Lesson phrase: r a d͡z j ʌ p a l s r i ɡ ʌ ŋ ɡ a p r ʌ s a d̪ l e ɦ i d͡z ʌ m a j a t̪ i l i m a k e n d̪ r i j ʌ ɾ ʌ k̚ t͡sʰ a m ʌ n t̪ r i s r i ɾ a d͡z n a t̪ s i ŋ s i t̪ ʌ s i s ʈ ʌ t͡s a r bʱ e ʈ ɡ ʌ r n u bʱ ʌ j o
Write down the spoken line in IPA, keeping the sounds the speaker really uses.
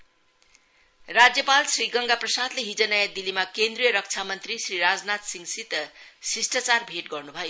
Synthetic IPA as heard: r a d͡z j ʌ p a l s r i ɡ ʌ ŋ ɡ a p r ʌ s a d̪ l e ɦ i d͡z ʌ n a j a d̪ i l i m a k e n d̪ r i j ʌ ɾ ʌ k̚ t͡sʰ a m ʌ n t̪ r i s r i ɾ a d͡z n a t̪ s i ŋ s i t̪ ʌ s i s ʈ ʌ t͡s a r bʱ e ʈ ɡ ʌ r n u bʱ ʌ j o

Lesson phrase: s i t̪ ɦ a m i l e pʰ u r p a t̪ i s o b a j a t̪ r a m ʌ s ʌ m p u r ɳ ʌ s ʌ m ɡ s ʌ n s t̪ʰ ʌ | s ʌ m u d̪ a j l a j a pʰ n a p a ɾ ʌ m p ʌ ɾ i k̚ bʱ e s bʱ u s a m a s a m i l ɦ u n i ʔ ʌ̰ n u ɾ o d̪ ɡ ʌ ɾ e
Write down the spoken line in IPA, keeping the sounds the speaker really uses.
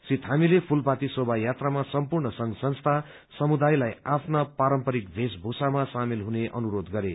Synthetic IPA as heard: s i t̪ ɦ a m i l e pʰ u l p a t̪ i s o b a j a t̪ r a m a s ʌ m p u r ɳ ʌ s ʌ ŋ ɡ s ʌ n s t̪ʰ a | s ʌ m u d̪ a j l a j a pʰ n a p a ɾ ʌ m p ʌ ɾ i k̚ bʱ e s bʱ u s a m a s a m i l ɦ u n e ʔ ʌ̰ n u ɾ o d̪ ɡ ʌ ɾ e

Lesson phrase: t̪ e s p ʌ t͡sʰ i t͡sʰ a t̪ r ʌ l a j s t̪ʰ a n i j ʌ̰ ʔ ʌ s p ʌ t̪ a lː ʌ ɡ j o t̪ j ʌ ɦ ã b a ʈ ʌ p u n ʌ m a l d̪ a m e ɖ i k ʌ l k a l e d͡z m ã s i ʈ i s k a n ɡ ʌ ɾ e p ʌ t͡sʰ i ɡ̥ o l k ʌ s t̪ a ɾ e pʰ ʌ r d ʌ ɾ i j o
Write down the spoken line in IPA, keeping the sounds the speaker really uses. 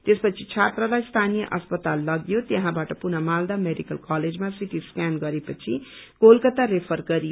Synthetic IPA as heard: t̪ e s p ʌ t͡sʰ i t͡sʰ a t̪ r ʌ l a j s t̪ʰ a n i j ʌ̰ ʔ ʌ s p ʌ t̪ a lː ʌ ɡ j o t̪ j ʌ ɦ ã b a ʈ ʌ p u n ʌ m a l d̪ a m e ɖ i k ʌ l k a l e d͡z m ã s i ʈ i s k a n ɡ ʌ ɾ e p ʌ t͡sʰ i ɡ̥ o l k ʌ t̪ a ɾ e pʰ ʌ r ɡ ʌ ɾ i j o

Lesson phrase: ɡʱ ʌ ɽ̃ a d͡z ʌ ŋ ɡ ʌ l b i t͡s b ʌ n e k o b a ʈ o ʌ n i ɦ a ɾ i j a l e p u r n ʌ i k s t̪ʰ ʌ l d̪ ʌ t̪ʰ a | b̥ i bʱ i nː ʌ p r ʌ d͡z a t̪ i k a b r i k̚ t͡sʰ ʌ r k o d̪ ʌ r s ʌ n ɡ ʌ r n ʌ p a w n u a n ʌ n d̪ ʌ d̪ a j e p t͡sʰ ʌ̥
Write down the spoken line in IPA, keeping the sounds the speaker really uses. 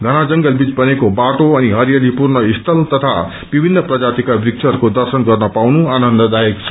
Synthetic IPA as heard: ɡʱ ʌ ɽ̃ a d͡z ʌ ŋ ɡ ʌ l b i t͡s b ʌ n e k o b a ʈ o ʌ n i ɦ ʌ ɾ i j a l i p u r n ʌ i s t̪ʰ ʌ l t̪ ʌ t̪ʰ a | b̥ i bʱ i nː ʌ p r ʌ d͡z a t̪ i k a b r i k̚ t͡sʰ ʌ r k o d̪ ʌ r s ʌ n ɡ ʌ r n ʌ p a w n u a n ʌ n d̪ ʌ d̪ a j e k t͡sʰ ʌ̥

